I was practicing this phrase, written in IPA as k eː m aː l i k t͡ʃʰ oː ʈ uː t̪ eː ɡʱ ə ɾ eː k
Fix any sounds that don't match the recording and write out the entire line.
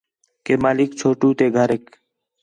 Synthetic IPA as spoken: k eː m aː l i k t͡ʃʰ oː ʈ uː t̪ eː ɡʱ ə ɾ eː k